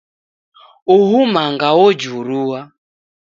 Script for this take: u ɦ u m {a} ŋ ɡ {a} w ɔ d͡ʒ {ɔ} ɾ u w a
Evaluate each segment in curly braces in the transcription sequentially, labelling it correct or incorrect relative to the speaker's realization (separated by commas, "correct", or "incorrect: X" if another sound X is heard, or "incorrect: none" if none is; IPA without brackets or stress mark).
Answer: correct, correct, incorrect: u